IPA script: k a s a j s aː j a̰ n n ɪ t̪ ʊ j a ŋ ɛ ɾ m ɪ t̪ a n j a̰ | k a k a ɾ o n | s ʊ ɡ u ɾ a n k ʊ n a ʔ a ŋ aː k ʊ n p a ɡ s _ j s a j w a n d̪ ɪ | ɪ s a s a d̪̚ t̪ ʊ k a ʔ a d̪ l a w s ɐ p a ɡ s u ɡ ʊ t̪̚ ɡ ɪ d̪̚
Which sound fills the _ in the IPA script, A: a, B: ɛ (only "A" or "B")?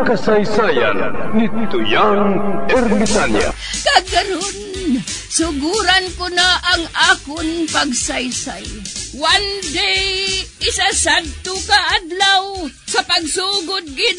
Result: A